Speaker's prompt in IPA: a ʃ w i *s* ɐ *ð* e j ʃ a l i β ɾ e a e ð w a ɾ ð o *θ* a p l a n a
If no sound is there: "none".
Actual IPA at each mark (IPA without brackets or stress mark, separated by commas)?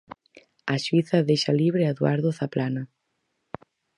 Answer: θ, ð, θ